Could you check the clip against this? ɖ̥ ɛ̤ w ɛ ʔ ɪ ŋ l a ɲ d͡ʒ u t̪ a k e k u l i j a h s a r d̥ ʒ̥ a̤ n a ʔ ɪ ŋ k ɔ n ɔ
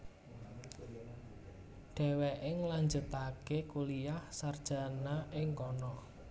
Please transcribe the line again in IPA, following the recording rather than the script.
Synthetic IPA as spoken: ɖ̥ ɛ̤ w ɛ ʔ ɪ ŋ l a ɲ d͡ʒ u t̪ a k e k u l i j a h s a r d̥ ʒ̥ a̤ n a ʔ ɪ ŋ k ɔ n ɔ